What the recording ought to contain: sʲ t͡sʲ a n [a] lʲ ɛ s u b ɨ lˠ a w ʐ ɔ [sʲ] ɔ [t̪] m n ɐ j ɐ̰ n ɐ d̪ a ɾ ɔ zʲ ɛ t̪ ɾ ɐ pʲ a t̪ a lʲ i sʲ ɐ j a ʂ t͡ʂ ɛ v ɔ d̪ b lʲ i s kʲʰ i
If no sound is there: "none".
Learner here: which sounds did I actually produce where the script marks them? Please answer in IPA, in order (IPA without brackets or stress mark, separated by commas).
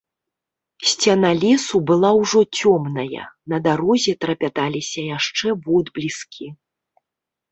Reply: a, t͡sʲ, none